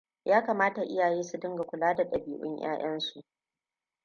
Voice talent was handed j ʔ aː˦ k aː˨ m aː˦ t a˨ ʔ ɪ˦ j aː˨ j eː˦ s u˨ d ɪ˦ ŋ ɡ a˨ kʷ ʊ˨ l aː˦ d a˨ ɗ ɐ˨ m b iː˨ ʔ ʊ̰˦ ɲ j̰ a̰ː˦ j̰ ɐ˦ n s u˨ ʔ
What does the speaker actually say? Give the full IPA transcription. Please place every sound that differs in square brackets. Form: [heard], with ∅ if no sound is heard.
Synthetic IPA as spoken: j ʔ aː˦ k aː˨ m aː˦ t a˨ ʔ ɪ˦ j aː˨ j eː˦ s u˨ d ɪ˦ ŋ ɡ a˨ kʷ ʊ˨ l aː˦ d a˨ ɗ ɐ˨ [∅] b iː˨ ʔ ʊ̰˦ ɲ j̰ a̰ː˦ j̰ ɐ˦ n s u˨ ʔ